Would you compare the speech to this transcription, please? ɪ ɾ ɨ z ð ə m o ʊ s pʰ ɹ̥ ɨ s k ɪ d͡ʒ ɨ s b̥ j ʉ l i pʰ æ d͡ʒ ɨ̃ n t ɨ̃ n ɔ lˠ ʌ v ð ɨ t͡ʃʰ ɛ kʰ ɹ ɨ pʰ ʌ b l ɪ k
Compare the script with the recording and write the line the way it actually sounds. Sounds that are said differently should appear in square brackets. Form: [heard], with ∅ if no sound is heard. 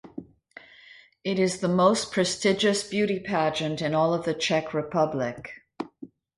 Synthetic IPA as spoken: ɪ ɾ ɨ z ð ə m o ʊ s pʰ ɹ̥ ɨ s [t] ɪ d͡ʒ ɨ s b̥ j ʉ [ɾ] i pʰ æ d͡ʒ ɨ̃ n t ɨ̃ n ɔ lˠ ʌ v ð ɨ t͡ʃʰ ɛ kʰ ɹ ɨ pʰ ʌ b l ɪ k